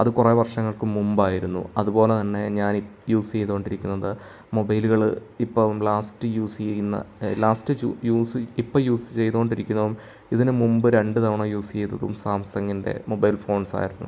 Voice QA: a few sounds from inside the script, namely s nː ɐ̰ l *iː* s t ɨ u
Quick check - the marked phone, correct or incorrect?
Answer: incorrect: aː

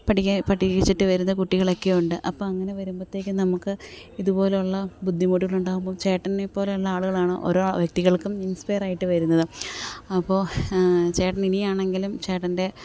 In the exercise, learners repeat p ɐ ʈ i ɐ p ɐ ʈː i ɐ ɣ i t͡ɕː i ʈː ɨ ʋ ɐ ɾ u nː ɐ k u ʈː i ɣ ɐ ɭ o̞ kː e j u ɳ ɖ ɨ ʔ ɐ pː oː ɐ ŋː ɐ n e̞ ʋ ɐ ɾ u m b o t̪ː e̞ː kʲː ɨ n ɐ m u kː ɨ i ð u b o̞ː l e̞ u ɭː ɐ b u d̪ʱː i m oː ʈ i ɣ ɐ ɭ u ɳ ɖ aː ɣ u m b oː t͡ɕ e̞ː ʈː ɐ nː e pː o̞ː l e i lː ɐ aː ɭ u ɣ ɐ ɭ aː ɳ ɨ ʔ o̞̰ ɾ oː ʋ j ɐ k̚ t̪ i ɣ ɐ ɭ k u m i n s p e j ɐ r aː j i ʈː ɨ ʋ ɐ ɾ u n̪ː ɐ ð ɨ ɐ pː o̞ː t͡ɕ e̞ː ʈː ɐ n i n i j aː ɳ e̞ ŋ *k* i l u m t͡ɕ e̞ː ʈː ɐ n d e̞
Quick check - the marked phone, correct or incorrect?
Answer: incorrect: ɡ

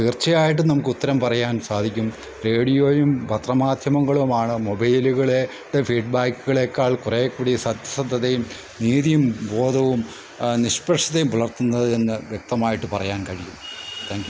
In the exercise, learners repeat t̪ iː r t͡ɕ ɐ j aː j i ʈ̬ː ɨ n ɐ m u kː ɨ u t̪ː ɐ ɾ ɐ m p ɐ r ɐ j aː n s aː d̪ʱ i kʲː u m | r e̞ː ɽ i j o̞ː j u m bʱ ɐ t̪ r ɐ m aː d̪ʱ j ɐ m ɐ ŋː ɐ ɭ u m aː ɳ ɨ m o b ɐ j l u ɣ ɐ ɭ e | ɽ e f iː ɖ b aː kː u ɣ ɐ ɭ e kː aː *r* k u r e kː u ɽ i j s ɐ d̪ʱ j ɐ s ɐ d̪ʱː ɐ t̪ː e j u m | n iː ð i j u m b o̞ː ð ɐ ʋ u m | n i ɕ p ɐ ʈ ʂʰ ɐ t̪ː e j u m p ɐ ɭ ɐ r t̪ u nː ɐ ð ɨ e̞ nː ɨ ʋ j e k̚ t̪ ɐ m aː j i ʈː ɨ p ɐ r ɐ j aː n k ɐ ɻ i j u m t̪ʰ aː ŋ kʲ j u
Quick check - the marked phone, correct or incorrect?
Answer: incorrect: ɭ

